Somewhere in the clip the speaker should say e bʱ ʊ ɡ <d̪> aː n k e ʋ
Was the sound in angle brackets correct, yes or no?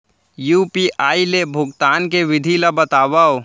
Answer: no